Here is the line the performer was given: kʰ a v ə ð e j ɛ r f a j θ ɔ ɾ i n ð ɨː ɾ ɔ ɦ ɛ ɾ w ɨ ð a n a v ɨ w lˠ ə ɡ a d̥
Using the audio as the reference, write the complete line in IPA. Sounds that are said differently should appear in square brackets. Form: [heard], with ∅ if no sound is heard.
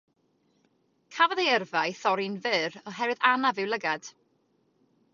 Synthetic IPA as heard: kʰ a v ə ð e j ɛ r [v] a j θ ɔ ɾ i n [v] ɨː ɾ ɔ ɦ ɛ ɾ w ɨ ð a n a v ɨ w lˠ ə ɡ a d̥